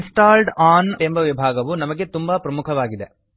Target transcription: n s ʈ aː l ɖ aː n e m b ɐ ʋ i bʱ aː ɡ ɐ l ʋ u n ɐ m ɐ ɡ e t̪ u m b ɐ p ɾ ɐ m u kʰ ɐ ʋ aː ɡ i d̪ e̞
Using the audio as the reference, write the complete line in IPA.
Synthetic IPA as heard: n s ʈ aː l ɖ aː n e m b ɐ ʋ i bʱ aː ɡ ɐ ʋ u n ɐ m ɐ ɡ e t̪ u m b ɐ p ɾ ɐ m u kʰ ɐ ʋ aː ɡ i d̪ e̞